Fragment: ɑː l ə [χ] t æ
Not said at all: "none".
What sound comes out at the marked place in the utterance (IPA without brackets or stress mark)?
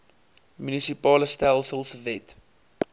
s